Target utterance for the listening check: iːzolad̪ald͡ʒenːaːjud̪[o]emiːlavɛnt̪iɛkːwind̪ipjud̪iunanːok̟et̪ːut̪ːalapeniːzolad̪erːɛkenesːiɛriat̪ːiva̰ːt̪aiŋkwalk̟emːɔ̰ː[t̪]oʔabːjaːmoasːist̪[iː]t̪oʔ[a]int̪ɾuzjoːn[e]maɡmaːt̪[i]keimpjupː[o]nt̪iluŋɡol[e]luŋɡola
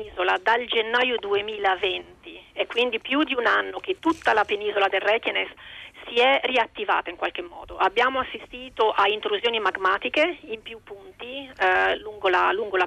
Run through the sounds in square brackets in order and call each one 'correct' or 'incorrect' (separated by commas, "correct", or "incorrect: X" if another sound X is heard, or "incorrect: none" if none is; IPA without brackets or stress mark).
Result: incorrect: u, incorrect: d̪, correct, correct, incorrect: i, correct, incorrect: u, incorrect: a